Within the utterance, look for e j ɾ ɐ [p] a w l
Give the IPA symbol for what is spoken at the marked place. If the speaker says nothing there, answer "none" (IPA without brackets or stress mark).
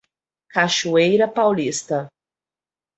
p